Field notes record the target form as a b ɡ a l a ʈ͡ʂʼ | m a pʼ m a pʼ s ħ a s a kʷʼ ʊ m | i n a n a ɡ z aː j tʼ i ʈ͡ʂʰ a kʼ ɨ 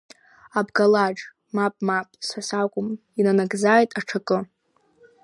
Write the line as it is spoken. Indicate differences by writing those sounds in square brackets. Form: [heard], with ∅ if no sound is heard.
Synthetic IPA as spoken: a b ɡ a l a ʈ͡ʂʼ | m a pʼ m a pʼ s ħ a s a kʷʼ ʊ m | i n a n a ɡ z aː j tʼ [a] ʈ͡ʂʰ a kʼ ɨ